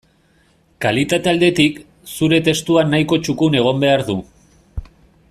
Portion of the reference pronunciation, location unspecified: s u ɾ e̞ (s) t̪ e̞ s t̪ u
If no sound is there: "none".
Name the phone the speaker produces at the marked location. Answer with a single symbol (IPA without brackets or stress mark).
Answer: none